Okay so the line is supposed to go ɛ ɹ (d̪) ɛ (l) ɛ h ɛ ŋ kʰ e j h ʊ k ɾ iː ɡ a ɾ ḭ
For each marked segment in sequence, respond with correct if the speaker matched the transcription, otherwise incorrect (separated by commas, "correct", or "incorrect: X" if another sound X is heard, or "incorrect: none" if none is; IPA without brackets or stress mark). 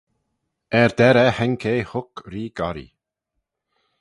correct, incorrect: ɾ